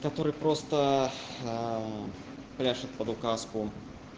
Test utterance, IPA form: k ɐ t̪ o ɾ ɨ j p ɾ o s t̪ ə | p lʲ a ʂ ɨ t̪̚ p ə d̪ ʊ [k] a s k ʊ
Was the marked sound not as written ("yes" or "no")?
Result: no